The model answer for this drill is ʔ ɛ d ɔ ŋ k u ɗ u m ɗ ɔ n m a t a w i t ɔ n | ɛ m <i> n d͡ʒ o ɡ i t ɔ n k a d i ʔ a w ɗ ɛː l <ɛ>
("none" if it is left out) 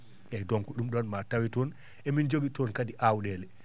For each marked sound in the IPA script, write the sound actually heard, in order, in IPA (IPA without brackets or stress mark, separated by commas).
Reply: i, ɛ